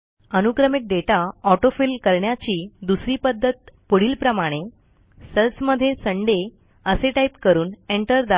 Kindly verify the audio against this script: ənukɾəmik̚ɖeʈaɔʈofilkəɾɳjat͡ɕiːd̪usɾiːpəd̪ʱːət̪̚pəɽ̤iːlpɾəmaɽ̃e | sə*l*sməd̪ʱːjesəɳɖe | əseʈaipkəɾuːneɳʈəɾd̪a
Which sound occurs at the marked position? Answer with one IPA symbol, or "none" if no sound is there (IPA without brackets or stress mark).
l